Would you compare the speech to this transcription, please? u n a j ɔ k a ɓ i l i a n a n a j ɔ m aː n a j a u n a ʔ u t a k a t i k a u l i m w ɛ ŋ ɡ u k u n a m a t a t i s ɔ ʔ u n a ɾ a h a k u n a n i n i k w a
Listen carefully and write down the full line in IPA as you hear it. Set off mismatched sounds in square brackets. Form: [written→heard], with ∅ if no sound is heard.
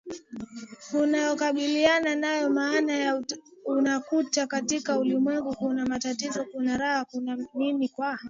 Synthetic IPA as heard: u n a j ɔ k a ɓ i l i a n a n a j ɔ m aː n a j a u n a [ʔ→k] u t a k a t i k a u l i m w ɛ ŋ ɡ u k u n a m a t a t i [s→z] ɔ [ʔ→k] u n a ɾ a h a k u n a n i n i k w a